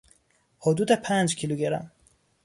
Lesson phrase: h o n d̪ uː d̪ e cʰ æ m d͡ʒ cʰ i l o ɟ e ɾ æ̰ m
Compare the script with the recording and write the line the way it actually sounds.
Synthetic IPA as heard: h o d̪ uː d̪ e pʰ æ n d͡ʒ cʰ i l u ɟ e ɾ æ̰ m